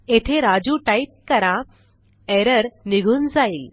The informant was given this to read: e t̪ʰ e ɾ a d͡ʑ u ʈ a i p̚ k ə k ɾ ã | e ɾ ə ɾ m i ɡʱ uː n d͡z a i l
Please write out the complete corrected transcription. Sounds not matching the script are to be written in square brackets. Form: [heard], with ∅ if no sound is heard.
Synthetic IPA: e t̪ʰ e ɾ a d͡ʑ u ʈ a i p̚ k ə [∅] ɾ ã | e ɾ ə ɾ [n] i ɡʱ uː n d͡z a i l